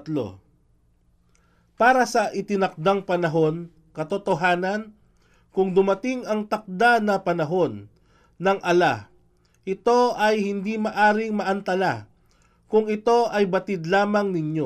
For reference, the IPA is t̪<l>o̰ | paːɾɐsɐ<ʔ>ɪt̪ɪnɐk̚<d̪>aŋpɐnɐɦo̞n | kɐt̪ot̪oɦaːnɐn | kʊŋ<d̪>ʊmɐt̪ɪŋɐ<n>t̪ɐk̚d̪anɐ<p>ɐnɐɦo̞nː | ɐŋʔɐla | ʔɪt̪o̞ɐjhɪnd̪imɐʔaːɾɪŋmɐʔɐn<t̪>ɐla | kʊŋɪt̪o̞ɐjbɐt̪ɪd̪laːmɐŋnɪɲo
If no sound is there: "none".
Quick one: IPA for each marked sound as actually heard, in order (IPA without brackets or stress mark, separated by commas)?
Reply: l, ʔ, d̪, d̪, ŋ, p, t̪